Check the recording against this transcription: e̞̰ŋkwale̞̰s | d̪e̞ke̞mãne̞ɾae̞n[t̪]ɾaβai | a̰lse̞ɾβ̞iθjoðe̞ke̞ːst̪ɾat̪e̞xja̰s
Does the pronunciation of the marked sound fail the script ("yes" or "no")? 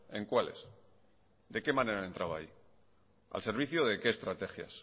no